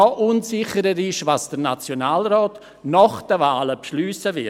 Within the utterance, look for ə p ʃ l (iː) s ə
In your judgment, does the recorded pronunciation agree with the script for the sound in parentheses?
no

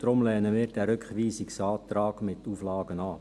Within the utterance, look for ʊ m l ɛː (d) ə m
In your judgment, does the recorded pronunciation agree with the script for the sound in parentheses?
no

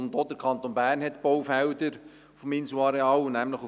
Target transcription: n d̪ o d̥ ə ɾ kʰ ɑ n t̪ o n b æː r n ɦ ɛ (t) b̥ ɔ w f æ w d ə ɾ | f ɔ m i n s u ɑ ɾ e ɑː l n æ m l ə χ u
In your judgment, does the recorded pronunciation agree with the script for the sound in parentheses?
yes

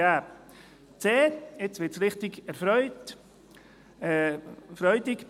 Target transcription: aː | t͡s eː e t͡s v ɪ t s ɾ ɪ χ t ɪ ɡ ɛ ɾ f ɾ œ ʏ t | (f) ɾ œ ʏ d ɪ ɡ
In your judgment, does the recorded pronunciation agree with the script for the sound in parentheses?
yes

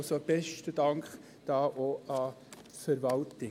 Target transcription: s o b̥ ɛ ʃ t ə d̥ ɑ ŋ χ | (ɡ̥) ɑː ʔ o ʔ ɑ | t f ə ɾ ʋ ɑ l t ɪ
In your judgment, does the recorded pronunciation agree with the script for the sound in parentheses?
no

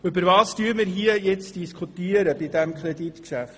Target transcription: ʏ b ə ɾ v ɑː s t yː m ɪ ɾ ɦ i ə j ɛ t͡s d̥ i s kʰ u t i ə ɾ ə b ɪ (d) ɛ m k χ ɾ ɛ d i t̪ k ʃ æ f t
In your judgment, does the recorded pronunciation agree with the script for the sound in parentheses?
yes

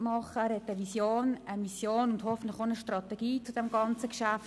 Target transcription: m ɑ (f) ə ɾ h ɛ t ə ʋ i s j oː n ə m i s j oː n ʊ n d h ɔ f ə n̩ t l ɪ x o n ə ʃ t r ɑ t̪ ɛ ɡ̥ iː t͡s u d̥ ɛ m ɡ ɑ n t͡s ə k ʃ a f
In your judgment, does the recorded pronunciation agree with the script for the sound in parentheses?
no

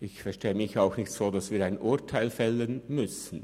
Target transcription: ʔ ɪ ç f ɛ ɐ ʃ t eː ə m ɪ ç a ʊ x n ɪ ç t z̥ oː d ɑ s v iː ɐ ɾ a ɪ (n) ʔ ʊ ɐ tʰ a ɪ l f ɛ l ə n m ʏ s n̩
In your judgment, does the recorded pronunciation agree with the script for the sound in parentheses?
yes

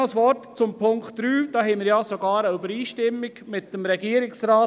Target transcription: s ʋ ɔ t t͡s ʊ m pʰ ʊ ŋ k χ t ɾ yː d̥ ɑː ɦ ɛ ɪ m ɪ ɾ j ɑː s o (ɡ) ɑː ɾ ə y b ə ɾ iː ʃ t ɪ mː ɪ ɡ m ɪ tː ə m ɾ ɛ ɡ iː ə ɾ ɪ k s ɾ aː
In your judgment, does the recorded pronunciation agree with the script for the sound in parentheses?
yes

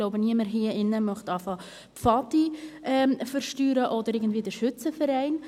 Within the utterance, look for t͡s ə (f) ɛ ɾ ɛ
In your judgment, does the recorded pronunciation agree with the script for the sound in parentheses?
yes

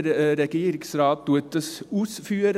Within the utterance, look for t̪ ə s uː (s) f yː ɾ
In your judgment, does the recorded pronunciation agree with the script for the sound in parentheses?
yes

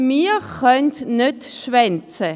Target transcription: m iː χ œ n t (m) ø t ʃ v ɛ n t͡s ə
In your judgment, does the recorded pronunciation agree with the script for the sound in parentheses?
no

